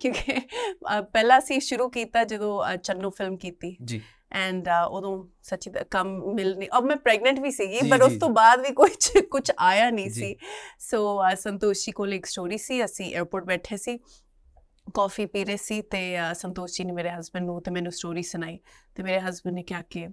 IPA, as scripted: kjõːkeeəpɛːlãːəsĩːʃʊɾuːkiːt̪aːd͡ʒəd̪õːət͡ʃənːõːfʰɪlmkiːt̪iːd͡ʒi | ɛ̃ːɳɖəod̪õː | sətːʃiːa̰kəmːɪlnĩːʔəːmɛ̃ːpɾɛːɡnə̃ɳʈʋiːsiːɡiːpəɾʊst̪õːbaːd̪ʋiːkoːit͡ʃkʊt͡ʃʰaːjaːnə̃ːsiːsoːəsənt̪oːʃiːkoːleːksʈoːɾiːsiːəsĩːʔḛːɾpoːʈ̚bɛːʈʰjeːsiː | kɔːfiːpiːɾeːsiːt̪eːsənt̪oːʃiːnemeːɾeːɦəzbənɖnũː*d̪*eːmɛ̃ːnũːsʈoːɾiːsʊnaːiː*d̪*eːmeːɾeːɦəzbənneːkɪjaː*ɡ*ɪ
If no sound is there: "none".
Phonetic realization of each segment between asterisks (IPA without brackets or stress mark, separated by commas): t̪, t̪, k